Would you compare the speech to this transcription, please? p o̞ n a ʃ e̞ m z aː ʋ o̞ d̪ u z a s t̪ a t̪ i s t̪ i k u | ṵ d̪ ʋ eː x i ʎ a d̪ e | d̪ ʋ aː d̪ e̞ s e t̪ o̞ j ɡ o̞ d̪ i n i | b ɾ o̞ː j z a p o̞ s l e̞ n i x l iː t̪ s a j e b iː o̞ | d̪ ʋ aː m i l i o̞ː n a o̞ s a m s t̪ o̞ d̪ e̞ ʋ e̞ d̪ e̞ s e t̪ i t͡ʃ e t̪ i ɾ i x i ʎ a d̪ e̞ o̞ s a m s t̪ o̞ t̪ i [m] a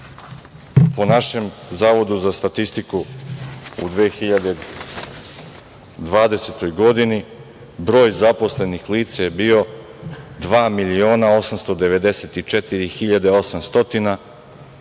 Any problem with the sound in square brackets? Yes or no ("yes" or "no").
yes